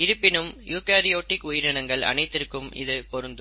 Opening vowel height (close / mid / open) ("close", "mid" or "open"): close